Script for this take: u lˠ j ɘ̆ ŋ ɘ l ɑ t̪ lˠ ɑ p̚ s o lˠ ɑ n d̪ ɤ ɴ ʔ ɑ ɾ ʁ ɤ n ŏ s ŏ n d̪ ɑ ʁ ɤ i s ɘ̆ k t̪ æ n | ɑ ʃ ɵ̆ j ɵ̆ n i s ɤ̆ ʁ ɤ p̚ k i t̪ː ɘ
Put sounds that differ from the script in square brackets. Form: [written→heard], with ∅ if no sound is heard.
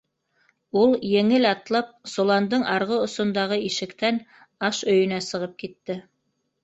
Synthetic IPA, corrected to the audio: u lˠ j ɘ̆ ŋ ɘ l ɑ t̪ lˠ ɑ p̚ s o lˠ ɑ n d̪ ɤ ɴ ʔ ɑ ɾ ʁ ɤ [n→∅] ŏ s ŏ n d̪ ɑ ʁ ɤ i [s→ʃ] ɘ̆ k t̪ æ n | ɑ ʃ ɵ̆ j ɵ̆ n [i→æ] s ɤ̆ ʁ ɤ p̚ k i t̪ː ɘ